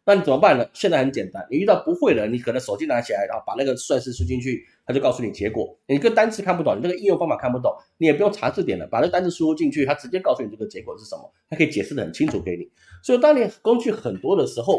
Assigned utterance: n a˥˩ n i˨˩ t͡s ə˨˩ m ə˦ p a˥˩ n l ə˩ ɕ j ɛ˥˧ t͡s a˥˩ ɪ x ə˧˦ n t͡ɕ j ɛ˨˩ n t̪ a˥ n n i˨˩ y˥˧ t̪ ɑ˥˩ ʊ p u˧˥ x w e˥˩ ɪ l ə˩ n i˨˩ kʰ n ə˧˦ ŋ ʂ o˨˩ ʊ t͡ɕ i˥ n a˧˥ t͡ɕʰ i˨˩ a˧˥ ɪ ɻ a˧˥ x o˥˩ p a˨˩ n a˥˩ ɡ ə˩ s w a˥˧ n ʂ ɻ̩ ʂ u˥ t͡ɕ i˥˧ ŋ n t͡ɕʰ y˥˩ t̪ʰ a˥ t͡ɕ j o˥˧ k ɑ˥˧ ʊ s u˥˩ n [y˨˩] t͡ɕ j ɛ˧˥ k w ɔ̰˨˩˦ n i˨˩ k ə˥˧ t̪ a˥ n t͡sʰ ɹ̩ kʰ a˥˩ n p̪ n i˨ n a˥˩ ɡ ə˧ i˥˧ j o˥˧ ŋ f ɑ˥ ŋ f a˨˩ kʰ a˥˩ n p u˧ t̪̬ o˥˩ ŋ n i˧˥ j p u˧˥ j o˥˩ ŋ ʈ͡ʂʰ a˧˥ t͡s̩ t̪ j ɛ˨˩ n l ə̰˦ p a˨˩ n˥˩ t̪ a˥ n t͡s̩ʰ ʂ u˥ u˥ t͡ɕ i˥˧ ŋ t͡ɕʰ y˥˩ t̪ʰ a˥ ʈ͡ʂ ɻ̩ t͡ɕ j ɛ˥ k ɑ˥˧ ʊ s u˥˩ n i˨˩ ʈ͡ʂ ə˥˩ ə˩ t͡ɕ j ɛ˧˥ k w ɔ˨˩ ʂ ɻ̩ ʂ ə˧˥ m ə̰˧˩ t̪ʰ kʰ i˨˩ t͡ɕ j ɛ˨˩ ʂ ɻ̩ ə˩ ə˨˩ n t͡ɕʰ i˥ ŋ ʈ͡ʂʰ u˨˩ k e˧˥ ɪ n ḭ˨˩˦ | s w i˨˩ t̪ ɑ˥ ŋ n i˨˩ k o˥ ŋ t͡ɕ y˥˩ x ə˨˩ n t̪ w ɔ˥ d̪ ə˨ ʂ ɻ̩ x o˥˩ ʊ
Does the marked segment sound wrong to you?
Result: yes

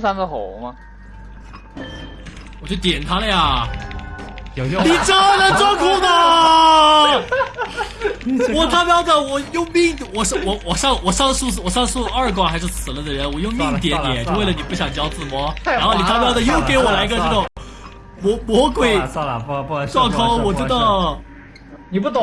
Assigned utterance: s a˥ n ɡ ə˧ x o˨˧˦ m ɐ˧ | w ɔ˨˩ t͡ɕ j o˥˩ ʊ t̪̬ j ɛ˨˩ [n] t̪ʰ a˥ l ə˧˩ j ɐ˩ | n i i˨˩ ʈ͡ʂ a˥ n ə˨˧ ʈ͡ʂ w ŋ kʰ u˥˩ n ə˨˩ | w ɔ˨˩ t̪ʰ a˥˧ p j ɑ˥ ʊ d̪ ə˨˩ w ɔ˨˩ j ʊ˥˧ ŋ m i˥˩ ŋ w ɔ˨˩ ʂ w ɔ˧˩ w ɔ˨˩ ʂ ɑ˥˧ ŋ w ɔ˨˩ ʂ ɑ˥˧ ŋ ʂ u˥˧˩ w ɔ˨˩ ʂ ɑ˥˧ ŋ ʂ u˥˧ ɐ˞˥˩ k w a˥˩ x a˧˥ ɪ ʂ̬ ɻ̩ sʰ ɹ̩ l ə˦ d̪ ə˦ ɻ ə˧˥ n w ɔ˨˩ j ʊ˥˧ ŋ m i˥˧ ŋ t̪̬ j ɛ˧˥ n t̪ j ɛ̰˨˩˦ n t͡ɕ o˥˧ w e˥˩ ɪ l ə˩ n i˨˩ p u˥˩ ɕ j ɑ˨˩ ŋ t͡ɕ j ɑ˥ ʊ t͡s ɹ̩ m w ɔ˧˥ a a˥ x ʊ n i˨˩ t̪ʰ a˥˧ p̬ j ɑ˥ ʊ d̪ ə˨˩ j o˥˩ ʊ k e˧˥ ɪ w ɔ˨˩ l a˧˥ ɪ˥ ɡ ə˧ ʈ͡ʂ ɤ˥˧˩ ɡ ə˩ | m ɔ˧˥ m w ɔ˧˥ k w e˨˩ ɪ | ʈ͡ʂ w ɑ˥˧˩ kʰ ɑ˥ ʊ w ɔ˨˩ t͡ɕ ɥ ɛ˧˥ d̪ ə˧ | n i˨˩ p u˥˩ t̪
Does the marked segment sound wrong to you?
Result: no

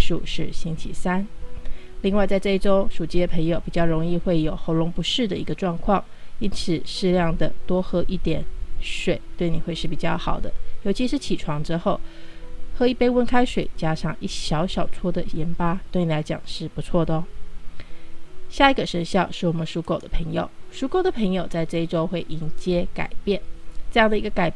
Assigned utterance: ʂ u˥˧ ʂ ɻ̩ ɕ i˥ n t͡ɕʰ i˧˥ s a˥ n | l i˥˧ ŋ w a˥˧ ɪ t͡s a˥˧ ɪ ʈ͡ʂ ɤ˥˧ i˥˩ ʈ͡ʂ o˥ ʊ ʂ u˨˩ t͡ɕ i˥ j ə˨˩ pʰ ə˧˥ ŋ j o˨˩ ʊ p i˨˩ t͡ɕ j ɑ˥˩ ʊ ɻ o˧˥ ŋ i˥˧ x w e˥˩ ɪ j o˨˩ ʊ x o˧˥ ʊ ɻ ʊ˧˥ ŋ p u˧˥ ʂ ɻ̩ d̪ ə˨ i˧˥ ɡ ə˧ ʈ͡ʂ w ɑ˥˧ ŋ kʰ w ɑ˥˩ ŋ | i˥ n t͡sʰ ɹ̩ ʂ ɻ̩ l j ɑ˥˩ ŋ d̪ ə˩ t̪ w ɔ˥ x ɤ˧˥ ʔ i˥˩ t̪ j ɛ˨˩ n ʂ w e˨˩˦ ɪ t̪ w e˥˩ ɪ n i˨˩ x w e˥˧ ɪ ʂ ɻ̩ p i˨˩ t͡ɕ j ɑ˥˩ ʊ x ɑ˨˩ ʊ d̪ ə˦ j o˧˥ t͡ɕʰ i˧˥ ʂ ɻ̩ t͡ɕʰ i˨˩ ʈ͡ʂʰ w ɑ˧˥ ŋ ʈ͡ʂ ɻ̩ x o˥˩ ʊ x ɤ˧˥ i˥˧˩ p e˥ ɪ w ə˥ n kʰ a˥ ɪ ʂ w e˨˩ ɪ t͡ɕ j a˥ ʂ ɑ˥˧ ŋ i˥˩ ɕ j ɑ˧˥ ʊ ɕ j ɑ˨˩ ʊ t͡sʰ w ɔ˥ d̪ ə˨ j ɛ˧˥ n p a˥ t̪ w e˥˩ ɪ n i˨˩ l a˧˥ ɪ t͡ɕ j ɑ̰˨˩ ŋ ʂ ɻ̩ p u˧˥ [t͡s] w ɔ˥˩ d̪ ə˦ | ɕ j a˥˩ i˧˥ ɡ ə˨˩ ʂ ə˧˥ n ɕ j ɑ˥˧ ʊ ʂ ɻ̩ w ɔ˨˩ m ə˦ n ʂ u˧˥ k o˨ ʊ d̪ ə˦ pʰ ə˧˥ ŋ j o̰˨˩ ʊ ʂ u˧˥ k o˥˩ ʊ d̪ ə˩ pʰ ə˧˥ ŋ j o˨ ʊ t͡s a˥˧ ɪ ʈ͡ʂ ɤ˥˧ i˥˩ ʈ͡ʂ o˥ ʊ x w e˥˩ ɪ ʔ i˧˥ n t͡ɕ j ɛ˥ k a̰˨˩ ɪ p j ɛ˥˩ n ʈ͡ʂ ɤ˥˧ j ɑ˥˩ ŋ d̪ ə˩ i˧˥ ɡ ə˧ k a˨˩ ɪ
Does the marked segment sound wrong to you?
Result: yes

